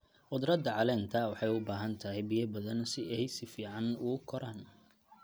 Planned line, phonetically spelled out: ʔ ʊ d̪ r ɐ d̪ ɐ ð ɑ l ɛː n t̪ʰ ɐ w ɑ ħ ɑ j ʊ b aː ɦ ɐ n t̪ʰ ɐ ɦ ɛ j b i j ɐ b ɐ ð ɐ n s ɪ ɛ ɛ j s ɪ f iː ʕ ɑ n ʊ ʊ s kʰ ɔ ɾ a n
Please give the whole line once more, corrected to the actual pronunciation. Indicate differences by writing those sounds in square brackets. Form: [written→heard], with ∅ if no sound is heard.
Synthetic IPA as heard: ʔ ʊ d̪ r ɐ d̪ ɐ [ð→ʕ] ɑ l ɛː n t̪ʰ ɐ w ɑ ħ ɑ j ʊ b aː ɦ ɐ n t̪ʰ ɐ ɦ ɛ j b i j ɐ b ɐ ð ɐ n s ɪ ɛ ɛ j s ɪ f iː ʕ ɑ n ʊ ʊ [s→∅] kʰ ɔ ɾ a n